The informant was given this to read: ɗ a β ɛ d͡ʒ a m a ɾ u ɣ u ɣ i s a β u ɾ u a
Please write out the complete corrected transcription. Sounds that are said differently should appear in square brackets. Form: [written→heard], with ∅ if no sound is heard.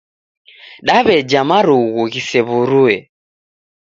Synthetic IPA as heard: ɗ a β ɛ d͡ʒ a m a ɾ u ɣ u ɣ i s [a→ɛ] β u ɾ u [a→ɛ]